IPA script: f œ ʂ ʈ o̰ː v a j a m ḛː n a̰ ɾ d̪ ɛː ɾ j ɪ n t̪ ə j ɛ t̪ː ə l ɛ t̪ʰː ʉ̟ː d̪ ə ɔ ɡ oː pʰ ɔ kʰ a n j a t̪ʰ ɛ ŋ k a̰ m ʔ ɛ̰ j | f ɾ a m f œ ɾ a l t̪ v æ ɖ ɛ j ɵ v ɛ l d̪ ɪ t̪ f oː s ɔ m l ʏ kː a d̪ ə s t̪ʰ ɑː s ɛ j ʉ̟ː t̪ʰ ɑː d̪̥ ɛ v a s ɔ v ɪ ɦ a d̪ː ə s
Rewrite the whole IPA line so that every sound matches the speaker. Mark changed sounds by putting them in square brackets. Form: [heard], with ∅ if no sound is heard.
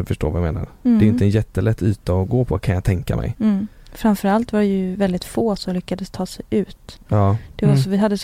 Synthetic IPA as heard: f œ ʂ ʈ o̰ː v a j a m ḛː n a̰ ɾ d̪ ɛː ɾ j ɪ n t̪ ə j ɛ t̪ː ə l ɛ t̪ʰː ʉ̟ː [t̪] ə ɔ ɡ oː pʰ ɔ kʰ a n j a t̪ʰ ɛ ŋ k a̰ m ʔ ɛ̰ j | f ɾ a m f œ ɾ a l t̪ v [a] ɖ ɛ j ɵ v ɛ l d̪ ɪ t̪ f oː s ɔ m l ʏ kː a d̪ ə s t̪ʰ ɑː s ɛ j ʉ̟ː [t̪] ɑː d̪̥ ɛ v a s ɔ v ɪ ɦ a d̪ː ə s